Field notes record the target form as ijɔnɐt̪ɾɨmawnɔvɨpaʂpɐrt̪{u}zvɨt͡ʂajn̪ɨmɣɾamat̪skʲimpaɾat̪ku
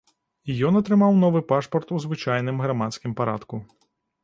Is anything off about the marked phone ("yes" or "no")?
no